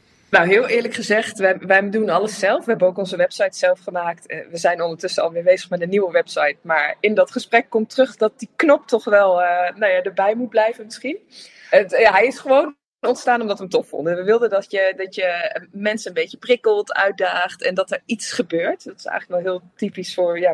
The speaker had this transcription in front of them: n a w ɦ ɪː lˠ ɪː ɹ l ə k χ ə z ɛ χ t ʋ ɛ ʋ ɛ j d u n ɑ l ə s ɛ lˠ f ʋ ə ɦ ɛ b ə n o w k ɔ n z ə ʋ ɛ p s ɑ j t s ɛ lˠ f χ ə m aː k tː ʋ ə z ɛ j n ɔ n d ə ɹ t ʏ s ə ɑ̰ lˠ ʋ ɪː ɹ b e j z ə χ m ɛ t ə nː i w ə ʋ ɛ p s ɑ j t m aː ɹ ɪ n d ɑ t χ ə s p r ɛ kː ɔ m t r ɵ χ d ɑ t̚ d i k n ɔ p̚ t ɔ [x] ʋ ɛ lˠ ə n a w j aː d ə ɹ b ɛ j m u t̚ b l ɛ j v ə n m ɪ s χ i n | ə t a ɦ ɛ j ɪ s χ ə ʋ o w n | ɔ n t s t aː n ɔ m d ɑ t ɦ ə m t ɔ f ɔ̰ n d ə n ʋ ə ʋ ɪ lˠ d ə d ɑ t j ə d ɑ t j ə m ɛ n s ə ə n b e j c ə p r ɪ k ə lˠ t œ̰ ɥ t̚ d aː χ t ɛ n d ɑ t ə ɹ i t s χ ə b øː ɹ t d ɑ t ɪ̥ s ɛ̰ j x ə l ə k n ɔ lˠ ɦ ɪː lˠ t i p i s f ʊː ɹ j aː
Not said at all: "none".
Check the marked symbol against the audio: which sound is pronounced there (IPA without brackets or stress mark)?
χ